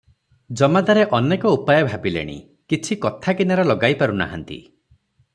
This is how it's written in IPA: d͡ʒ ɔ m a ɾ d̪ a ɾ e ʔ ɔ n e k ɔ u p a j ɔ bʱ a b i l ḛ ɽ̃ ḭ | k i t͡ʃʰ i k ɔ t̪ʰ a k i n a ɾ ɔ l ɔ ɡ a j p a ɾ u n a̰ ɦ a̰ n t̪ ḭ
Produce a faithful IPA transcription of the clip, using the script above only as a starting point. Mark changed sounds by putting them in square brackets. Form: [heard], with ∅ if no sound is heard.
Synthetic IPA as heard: d͡ʒ ɔ m a [∅] d̪ a ɾ e ʔ ɔ n e k ɔ u p a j ɔ bʱ a b i l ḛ ɽ̃ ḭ | k i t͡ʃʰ i k ɔ t̪ʰ a k i n a ɾ ɔ l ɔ ɡ a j p a ɾ u n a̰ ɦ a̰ n t̪ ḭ